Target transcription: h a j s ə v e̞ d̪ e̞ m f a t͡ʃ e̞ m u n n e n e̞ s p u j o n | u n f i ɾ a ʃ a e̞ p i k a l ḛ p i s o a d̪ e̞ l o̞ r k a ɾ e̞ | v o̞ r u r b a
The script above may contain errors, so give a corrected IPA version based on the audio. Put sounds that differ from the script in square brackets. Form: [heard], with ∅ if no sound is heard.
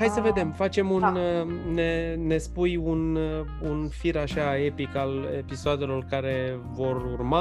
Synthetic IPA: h a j s ə v e̞ d̪ e̞ m f a t͡ʃ e̞ m u n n e n e̞ s p u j [u] n | u n f i ɾ a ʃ a e̞ p i k a l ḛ p i s o a d̪ e̞ l o̞ r k a ɾ e̞ | v o̞ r u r [m] a